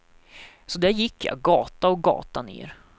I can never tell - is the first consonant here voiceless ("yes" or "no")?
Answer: yes